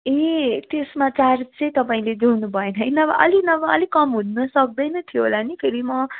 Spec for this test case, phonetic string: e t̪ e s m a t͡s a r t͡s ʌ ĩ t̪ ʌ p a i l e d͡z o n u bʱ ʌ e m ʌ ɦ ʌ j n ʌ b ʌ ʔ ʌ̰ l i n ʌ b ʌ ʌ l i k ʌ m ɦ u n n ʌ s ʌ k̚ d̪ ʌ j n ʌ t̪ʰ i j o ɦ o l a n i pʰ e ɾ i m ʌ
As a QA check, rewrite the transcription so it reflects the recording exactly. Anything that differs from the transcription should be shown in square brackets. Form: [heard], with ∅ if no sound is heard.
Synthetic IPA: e t̪ e s m a t͡s a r t͡s ʌ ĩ t̪ ʌ p a [ĩ] l e d͡z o n u bʱ ʌ e [n] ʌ ɦ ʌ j n ʌ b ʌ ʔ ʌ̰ l i n ʌ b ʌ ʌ l i k ʌ m ɦ u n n ʌ s ʌ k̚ d̪ ʌ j n ʌ t̪ʰ i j o ɦ o l a n i pʰ e ɾ i m ʌ